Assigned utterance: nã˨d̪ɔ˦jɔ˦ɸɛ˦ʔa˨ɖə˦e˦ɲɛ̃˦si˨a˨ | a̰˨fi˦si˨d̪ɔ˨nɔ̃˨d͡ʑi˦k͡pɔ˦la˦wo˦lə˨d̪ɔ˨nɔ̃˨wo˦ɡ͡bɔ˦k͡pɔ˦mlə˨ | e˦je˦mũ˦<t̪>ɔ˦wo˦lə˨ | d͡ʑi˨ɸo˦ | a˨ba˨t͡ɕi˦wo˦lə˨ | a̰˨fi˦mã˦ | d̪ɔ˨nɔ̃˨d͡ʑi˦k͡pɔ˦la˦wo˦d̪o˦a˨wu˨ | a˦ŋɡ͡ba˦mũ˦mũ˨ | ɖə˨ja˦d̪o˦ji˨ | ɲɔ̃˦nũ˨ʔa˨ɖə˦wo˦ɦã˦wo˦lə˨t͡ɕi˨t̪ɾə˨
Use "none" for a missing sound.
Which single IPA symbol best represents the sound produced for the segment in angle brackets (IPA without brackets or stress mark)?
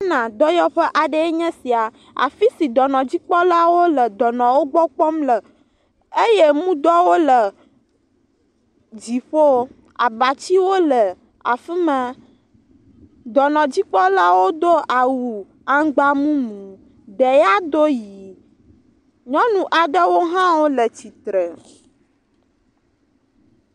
d̪